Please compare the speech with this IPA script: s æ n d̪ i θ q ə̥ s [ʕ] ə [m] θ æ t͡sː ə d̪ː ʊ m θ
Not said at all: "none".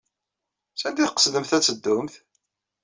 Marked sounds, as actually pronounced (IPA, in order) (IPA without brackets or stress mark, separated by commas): ð, m